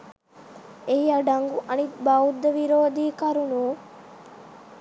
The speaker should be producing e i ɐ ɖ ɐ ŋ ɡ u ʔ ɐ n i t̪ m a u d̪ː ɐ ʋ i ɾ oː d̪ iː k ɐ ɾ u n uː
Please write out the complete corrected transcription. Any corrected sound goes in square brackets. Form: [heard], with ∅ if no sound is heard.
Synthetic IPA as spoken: e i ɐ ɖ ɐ ŋ ɡ u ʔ ɐ n i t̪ [b] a u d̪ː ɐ ʋ i ɾ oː d̪ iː k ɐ ɾ u n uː